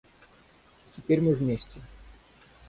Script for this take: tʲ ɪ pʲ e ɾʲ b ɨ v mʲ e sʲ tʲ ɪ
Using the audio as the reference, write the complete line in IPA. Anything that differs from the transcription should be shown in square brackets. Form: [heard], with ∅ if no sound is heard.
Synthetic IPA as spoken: tʲ ɪ pʲ e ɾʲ [m] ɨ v mʲ e sʲ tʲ ɪ